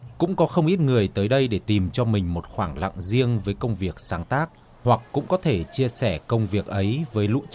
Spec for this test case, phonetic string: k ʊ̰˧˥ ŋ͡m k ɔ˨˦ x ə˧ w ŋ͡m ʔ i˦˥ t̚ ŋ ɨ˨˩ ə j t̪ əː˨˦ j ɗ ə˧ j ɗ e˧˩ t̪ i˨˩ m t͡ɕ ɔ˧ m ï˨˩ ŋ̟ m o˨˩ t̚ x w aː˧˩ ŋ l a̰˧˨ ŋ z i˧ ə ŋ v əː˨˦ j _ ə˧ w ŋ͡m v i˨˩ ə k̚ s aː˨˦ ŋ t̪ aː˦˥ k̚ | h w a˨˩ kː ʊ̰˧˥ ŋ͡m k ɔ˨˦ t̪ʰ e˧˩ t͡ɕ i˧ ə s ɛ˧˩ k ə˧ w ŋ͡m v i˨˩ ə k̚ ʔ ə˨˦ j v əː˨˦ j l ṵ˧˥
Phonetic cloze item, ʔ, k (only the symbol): k